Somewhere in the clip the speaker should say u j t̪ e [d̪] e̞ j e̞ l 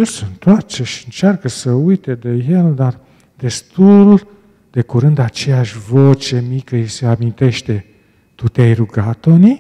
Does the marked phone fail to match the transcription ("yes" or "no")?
no